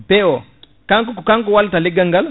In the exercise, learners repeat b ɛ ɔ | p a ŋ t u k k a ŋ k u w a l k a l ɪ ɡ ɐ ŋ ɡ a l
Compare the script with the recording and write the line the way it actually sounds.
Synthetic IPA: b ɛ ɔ | k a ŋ k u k k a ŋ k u w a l t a l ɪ ɡ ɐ ŋ ɡ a l